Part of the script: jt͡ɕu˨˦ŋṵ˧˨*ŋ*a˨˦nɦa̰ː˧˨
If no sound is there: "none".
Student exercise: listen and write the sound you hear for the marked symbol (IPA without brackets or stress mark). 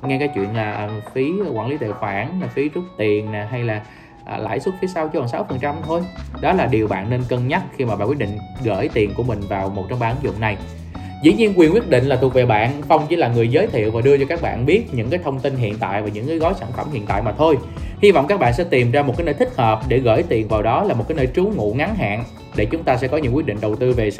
ŋ